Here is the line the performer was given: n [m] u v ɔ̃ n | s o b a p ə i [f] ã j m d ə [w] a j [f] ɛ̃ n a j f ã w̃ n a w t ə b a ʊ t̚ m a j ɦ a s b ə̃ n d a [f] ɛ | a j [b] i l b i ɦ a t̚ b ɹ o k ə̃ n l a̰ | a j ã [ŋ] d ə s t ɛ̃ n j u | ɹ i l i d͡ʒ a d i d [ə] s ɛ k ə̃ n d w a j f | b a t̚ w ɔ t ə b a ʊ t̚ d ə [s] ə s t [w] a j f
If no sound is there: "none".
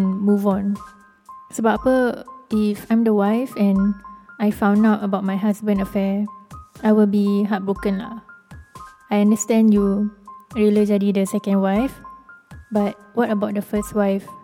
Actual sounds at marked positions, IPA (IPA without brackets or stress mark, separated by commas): m, f, w, f, f, w, n, ə, f, w